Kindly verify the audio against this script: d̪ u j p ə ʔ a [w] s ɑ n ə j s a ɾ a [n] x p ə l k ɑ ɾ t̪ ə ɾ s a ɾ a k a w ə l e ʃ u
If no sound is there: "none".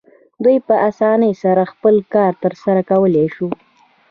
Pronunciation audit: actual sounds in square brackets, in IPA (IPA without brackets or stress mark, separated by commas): none, none